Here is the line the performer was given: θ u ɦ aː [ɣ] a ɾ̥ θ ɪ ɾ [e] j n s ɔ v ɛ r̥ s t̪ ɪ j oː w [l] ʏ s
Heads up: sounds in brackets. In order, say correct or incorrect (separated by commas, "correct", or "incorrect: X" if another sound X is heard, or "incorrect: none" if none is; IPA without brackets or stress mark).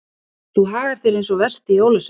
correct, correct, correct